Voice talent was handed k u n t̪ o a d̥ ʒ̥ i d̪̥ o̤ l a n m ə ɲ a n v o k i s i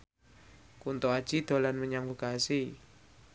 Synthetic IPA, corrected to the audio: k u n t̪ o a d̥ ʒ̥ i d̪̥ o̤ l a n m ə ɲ a ŋ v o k a s i